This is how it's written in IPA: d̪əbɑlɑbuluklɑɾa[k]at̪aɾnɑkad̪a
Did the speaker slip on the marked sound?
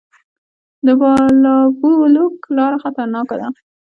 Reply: yes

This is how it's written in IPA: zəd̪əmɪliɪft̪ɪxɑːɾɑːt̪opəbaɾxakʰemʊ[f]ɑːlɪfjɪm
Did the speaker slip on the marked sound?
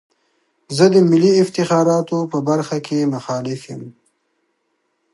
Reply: yes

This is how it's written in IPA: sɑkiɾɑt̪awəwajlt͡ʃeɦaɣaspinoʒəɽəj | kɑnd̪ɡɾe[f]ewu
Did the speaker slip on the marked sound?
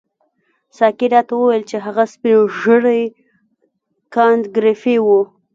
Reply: no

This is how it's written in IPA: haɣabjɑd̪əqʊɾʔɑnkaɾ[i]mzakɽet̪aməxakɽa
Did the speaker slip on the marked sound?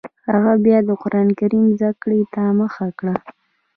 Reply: no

